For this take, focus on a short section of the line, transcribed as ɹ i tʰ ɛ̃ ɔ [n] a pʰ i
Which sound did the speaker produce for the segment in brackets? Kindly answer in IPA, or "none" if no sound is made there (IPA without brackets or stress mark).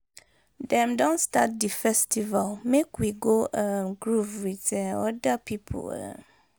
d